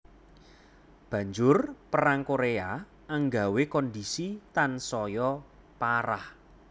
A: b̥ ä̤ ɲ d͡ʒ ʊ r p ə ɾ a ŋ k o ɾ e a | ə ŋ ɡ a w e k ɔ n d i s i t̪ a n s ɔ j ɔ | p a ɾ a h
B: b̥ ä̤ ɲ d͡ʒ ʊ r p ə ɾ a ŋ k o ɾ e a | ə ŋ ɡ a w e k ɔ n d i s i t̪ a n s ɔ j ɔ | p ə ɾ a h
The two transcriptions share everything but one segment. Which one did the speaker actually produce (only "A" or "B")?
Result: A